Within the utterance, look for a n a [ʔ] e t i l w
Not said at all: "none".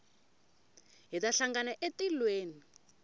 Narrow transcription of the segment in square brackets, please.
ʔ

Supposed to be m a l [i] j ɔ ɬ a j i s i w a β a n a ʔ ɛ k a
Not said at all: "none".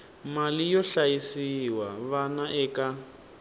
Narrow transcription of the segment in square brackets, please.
i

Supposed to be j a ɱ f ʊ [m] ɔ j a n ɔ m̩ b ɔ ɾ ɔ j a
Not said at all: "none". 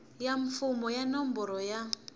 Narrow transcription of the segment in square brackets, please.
m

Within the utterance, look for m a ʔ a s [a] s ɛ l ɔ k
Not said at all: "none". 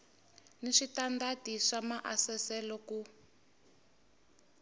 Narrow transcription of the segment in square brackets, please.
ɛ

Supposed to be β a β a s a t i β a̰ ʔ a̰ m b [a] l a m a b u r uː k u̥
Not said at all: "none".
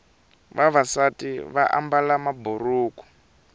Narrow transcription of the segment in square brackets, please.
a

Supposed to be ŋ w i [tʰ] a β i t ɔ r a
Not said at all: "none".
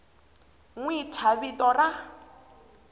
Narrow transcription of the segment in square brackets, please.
tʰ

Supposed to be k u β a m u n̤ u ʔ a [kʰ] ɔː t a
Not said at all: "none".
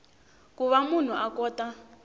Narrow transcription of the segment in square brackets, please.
k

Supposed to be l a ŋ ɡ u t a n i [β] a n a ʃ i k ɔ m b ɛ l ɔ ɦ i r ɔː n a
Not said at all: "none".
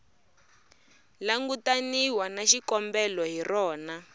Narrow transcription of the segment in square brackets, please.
w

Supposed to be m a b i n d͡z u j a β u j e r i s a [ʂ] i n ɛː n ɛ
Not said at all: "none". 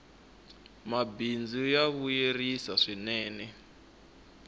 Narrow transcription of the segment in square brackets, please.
ʂ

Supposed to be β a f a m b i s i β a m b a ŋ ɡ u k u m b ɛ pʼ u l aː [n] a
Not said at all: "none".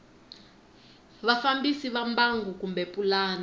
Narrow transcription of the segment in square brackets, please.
n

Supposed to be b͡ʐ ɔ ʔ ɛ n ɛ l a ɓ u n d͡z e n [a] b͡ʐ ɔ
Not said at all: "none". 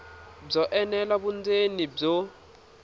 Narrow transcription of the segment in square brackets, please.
i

